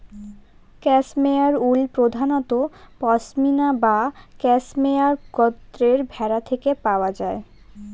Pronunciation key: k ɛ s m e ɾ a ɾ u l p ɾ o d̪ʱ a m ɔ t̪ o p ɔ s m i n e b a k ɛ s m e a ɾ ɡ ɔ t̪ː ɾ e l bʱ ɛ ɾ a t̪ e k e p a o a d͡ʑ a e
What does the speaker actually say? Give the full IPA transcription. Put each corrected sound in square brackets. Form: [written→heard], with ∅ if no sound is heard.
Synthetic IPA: k ɛ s m e [ɾ→∅] a ɾ u l p ɾ o d̪ʱ a [m→n] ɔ t̪ o p ɔ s m i n [e→a] b a k ɛ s m e a ɾ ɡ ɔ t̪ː ɾ e [l→ɾ] bʱ ɛ ɾ a [t̪→t̪ʰ] e k e p a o a d͡ʑ a e